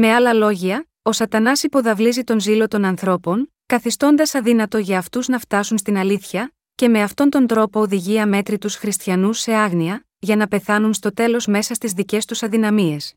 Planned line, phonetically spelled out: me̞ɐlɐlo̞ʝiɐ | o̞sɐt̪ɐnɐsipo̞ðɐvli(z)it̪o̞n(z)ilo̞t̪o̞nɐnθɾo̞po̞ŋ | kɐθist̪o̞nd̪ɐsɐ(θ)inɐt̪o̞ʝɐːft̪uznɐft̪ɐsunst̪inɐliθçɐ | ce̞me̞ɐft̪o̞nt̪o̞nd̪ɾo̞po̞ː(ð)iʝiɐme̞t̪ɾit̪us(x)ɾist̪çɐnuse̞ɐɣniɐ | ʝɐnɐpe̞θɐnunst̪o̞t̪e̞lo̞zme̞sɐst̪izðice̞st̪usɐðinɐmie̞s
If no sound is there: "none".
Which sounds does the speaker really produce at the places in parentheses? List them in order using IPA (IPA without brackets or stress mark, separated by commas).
z, z, ð, ð, x